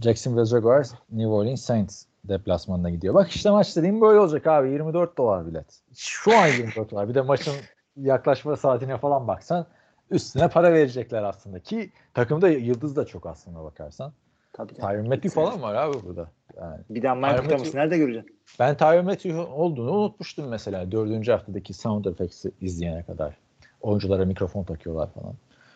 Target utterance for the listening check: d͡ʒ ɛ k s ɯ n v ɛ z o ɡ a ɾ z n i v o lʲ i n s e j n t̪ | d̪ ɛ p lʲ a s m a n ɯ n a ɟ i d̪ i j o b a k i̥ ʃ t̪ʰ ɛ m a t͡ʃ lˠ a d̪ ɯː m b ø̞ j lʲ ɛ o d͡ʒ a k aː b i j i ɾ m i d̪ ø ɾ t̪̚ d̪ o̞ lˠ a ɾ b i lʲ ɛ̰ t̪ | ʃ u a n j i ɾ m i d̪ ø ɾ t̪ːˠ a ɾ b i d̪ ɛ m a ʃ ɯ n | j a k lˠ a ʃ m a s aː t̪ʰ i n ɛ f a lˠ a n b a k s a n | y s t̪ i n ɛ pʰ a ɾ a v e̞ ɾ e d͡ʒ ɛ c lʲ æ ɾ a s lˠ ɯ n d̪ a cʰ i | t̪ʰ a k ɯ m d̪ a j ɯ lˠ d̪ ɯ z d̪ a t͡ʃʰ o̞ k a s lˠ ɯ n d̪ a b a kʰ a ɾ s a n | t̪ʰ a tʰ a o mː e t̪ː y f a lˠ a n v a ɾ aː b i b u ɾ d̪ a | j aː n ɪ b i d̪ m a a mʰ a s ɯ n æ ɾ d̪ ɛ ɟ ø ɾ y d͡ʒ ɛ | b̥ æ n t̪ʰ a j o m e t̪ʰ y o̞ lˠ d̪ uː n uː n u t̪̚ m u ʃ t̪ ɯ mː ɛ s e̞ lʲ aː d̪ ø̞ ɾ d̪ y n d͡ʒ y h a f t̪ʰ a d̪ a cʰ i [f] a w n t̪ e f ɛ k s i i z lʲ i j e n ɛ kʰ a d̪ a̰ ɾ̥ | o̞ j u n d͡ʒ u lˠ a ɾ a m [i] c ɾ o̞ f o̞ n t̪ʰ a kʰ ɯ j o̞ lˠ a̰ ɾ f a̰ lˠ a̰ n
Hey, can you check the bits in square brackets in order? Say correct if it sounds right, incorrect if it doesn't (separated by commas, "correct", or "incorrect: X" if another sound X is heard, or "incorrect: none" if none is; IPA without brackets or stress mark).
incorrect: s, correct